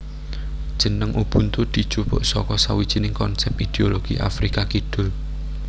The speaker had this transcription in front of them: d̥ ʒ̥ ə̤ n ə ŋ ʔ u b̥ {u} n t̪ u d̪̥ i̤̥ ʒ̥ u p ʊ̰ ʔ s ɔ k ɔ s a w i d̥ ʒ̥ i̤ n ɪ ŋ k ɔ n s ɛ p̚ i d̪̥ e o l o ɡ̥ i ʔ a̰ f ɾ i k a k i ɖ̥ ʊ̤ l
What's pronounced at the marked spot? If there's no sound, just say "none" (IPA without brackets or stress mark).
u